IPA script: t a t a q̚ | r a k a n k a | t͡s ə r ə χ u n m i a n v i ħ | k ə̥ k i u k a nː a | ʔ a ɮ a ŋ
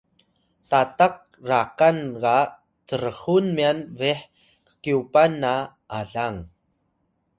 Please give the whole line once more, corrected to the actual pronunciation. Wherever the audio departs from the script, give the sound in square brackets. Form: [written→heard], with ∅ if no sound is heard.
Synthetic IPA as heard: t a t a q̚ | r a k a n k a | t͡s ə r ə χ u n m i a n v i ħ | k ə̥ k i u [k→p] a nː a | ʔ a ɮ a ŋ